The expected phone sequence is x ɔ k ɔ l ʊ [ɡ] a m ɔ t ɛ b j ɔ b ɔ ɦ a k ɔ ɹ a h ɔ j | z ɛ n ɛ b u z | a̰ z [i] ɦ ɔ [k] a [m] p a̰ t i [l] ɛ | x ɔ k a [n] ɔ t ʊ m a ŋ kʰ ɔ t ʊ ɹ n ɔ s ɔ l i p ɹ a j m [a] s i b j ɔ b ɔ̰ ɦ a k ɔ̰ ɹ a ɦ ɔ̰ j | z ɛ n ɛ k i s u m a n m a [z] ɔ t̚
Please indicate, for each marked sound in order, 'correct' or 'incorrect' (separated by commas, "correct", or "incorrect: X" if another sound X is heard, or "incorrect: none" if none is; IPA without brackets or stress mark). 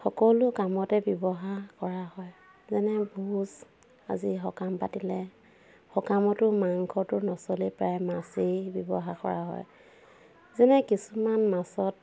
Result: incorrect: k, correct, correct, correct, correct, incorrect: m, correct, incorrect: s